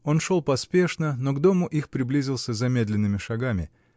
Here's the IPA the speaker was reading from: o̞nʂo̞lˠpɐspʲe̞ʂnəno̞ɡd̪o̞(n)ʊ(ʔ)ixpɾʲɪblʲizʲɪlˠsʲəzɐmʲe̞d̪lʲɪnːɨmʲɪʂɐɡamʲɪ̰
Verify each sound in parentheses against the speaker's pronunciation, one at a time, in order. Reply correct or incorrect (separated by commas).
incorrect, correct